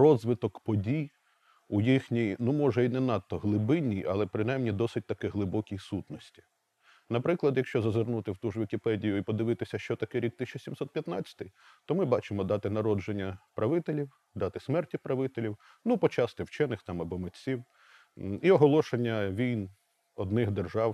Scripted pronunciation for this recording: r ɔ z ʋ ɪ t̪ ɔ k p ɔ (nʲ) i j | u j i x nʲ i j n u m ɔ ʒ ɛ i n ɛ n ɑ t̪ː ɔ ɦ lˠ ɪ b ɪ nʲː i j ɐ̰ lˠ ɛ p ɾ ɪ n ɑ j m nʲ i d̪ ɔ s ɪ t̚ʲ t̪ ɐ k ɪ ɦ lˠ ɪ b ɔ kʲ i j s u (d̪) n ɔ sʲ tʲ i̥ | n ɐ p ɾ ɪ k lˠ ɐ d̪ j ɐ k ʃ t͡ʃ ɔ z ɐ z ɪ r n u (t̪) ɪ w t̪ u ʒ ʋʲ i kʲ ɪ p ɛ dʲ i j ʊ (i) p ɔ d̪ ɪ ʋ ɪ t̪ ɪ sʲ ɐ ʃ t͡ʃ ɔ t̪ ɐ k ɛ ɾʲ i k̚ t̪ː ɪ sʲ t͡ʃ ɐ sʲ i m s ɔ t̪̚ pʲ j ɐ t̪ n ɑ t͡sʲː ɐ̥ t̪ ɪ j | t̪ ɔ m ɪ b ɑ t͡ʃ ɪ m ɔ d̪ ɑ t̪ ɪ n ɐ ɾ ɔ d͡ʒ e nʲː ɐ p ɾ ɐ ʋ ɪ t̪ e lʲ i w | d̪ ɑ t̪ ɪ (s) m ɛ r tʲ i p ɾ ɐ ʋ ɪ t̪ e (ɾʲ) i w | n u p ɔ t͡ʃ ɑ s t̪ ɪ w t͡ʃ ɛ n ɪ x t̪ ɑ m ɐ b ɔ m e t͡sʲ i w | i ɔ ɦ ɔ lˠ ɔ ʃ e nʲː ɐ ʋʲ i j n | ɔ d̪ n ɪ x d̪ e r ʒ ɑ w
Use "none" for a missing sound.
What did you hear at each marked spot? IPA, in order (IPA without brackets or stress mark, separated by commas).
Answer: dʲ, t̪, t̪, i, s, lʲ